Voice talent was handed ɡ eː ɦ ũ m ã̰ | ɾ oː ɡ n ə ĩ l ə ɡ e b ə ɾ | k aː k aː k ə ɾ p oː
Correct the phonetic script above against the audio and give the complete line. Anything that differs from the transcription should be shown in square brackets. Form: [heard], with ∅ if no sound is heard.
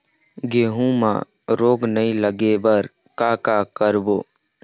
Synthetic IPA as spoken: ɡ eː ɦ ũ m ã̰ | ɾ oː ɡ n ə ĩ l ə ɡ e b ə ɾ | k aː k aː k ə ɾ [b] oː